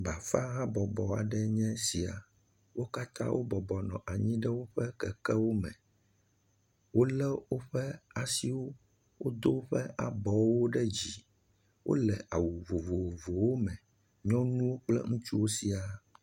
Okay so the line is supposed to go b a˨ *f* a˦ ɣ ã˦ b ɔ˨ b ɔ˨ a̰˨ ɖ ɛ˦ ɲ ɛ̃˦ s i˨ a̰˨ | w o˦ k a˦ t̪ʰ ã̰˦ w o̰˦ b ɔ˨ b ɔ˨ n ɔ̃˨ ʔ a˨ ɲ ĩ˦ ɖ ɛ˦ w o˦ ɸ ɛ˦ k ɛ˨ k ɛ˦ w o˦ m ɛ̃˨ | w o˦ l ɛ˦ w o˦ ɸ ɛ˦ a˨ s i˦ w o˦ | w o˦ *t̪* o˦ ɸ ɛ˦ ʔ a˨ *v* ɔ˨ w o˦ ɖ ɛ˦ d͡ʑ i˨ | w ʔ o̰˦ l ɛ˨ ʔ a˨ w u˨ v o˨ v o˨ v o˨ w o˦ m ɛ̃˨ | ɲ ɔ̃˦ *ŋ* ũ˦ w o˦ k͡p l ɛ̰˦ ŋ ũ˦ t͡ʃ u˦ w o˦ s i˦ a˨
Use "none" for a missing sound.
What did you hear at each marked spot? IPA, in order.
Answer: f, d̪, b, n

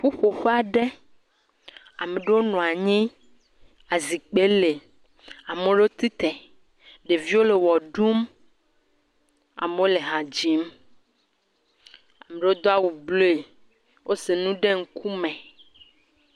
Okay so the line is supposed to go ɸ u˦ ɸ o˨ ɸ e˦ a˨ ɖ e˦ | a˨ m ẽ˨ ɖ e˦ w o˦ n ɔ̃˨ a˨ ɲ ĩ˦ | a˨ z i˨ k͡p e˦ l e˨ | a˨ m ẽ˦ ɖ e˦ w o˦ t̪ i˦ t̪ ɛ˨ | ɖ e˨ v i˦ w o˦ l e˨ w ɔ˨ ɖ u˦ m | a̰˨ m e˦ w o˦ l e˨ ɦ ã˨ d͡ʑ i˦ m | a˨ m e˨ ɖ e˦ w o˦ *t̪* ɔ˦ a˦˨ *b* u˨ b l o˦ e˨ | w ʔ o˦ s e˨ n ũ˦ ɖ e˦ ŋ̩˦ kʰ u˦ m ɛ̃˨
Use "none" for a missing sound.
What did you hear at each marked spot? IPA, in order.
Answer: d̪, w

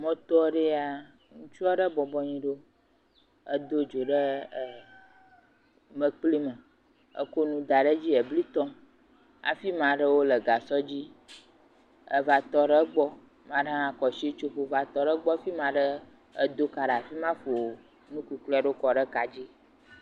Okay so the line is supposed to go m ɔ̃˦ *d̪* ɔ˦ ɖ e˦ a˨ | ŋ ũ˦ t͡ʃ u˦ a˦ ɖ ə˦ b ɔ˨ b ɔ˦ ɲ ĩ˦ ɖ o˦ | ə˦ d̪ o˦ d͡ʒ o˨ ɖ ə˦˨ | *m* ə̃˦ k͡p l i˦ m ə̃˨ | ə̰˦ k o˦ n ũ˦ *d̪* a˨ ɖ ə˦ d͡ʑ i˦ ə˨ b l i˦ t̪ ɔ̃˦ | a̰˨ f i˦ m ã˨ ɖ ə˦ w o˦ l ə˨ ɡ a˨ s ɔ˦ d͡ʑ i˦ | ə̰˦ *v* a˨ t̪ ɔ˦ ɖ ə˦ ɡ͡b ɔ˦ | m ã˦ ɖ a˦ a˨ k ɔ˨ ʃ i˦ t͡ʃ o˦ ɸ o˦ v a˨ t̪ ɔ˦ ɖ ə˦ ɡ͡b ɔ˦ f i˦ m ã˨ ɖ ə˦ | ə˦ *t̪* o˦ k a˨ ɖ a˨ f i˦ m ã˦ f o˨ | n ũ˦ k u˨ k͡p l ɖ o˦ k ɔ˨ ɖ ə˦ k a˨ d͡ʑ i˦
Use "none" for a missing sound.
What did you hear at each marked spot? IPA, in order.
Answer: t̪, m, d̪, v, d̪

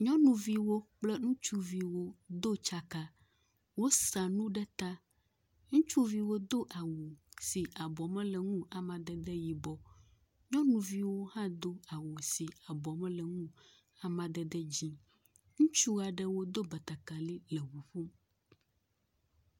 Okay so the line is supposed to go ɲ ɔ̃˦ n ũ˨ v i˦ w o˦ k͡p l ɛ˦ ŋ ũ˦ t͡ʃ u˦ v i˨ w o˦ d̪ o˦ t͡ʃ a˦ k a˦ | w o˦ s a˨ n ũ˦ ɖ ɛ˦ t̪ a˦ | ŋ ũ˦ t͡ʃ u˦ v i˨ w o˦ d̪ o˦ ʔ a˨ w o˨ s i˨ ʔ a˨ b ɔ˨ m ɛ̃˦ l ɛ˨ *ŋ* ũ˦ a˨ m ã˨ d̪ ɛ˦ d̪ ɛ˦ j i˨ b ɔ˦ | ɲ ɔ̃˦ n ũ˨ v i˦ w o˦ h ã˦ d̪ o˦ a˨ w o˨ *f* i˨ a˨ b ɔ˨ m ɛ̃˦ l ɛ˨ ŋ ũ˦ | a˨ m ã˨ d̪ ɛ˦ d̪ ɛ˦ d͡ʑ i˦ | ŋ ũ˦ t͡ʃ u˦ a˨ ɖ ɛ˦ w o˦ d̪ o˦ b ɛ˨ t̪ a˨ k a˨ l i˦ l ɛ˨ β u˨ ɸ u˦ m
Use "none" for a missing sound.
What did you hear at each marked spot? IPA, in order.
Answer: ŋ, s

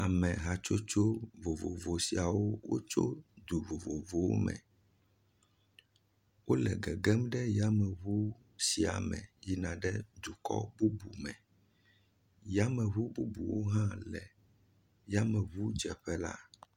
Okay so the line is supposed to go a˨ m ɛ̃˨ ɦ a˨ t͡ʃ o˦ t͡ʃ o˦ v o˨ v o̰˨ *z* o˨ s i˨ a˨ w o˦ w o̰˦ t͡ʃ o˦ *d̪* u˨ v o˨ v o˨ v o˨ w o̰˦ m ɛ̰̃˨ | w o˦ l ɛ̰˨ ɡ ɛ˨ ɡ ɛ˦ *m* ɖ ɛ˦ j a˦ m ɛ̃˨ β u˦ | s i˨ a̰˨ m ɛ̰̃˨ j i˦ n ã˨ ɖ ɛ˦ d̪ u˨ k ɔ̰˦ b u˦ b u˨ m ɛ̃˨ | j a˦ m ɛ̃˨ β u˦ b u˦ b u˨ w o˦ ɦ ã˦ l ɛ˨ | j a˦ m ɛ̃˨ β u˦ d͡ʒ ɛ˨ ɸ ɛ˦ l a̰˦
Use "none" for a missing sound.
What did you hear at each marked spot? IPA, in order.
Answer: v, d̪, m

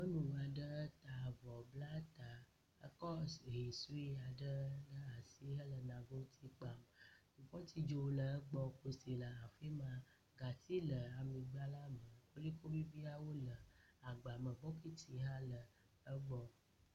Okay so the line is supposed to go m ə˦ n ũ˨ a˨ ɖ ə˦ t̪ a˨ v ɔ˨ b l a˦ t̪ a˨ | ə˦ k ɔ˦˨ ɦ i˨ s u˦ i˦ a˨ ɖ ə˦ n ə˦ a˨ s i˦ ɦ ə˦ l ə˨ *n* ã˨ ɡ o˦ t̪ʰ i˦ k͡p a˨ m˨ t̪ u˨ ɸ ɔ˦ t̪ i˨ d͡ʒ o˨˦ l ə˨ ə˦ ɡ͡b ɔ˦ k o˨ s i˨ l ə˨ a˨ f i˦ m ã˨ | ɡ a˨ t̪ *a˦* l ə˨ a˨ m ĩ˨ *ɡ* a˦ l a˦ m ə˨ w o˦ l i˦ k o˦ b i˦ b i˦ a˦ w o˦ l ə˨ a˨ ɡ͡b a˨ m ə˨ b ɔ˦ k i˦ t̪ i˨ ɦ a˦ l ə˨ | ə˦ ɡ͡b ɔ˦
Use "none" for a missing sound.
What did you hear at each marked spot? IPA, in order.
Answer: n, i˦, ɡ͡b

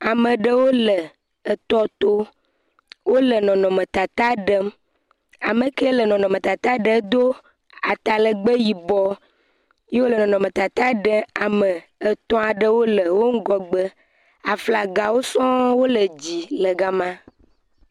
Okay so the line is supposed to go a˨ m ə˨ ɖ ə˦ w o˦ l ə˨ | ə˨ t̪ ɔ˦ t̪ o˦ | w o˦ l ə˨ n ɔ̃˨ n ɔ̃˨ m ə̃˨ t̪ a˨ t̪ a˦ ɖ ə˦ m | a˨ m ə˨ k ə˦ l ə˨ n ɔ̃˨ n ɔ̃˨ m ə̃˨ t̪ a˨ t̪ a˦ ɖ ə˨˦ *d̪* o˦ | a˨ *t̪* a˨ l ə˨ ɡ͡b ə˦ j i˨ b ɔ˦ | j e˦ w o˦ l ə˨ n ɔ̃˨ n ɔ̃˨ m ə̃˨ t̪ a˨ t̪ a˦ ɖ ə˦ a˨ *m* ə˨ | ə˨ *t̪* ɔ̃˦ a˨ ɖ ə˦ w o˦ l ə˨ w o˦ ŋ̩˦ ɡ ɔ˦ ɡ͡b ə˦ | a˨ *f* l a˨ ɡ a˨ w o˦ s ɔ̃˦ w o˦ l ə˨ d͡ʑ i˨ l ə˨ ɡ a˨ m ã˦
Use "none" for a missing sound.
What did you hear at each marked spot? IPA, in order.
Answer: d̪, t̪, m, t̪, f

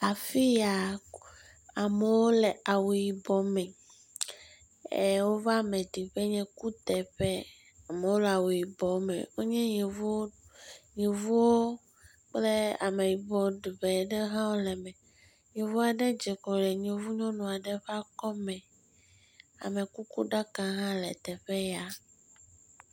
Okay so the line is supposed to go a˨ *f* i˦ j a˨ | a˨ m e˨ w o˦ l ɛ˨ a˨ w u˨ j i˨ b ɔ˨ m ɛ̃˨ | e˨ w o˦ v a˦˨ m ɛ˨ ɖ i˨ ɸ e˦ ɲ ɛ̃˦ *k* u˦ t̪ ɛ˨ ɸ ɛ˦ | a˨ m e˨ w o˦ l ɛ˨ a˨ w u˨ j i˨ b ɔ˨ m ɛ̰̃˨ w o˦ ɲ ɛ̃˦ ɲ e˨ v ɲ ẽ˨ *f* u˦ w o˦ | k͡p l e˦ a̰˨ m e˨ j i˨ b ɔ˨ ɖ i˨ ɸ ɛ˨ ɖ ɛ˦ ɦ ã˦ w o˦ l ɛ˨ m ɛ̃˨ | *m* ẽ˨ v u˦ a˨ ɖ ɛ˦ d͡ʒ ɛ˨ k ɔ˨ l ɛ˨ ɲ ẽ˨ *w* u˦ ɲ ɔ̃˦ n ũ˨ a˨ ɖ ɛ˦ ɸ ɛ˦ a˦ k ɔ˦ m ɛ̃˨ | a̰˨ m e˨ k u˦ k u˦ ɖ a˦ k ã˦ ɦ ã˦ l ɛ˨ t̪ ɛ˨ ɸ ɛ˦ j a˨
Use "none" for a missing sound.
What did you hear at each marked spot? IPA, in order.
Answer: f, k, v, ɲ, v

